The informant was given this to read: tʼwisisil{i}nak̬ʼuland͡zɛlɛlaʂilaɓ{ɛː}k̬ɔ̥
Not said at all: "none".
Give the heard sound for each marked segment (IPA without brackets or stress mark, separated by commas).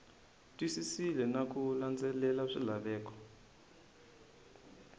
ɛ, ɛː